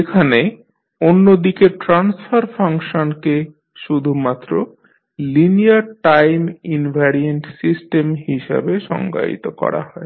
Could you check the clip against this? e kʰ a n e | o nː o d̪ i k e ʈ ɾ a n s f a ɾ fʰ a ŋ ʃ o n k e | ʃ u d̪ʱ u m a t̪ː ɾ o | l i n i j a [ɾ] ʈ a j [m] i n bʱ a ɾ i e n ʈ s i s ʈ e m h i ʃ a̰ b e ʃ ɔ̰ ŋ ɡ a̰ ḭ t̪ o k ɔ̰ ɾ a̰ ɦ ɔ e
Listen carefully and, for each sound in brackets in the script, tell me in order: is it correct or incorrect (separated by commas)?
correct, correct